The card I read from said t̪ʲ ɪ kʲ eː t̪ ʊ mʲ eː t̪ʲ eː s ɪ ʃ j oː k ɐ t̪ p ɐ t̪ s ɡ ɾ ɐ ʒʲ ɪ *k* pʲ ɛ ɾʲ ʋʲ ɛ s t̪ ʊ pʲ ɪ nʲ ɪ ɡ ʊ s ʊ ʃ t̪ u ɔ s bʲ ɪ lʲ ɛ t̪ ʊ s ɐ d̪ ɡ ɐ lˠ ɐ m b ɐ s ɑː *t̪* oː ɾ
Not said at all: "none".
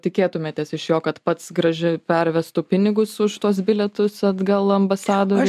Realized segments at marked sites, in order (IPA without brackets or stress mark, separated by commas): none, d̪